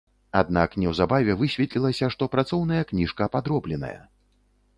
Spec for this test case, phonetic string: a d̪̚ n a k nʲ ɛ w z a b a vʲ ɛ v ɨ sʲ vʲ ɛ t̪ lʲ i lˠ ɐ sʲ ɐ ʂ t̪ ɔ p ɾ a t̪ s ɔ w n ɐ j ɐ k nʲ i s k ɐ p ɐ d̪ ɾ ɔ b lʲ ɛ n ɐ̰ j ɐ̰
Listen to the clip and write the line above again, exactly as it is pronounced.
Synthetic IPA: a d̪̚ n a k nʲ ɛ w z a b a vʲ ɛ v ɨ sʲ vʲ ɛ t̪ lʲ i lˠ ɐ sʲ ɐ ʂ t̪ ɔ p ɾ a t̪ s ɔ w n ɐ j ɐ k nʲ i ʂ k ɐ p a d̪ ɾ ɔ b lʲ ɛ n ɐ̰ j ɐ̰